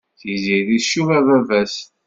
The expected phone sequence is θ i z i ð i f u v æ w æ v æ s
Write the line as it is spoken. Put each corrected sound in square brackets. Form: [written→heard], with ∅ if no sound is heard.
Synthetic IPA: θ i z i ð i [f→ʃ] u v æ [w→v] æ v æ s